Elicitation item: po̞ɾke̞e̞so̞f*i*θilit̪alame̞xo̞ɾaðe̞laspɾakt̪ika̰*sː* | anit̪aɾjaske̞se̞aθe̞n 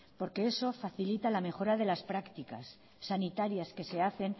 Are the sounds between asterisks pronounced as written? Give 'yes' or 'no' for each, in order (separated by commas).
no, yes